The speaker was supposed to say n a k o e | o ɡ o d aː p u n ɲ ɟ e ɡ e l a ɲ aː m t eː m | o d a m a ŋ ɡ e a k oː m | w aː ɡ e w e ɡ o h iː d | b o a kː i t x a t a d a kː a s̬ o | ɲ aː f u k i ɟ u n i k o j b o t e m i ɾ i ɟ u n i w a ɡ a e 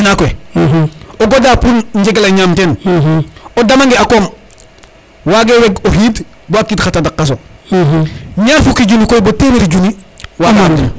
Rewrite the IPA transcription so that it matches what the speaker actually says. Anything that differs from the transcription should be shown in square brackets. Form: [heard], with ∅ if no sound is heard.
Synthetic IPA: n a k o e | o ɡ o d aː p u n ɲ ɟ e ɡ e l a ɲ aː m t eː [n] | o d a m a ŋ ɡ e a k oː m | w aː ɡ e w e ɡ o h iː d | b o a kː i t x a t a d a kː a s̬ o | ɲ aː f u k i ɟ u n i k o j b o t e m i ɾ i ɟ u n i w a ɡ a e